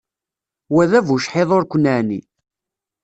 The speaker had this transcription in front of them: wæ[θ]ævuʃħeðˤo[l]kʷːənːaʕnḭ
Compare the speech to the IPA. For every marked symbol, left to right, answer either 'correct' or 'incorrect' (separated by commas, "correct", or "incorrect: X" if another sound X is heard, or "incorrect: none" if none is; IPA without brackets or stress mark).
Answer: incorrect: ð, incorrect: ɾ